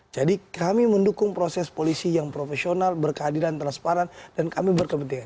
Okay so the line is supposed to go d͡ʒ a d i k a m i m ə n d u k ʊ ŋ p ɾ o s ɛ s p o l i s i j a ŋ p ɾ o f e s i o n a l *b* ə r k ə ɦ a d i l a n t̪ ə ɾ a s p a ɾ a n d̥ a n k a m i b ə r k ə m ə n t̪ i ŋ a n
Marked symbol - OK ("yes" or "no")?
yes